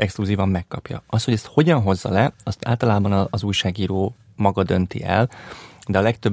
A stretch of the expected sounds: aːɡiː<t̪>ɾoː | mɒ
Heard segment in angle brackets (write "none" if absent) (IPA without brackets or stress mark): none